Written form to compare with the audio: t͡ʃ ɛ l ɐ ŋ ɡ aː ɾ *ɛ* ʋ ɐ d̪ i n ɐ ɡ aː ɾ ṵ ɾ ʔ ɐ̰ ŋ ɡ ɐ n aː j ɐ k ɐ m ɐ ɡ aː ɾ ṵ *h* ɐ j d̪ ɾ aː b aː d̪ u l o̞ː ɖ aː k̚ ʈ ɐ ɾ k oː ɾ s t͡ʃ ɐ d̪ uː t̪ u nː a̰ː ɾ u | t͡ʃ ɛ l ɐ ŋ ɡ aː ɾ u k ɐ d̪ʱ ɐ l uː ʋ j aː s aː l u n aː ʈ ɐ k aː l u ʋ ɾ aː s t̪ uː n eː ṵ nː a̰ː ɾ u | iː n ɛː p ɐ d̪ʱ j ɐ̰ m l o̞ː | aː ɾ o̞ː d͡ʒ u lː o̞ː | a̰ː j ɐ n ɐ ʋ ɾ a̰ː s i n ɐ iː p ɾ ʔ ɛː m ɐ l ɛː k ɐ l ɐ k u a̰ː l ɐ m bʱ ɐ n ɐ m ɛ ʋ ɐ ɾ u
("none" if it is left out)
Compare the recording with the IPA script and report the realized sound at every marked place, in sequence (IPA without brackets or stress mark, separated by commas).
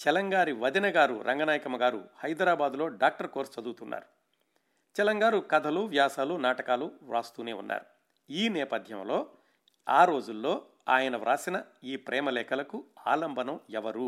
i, h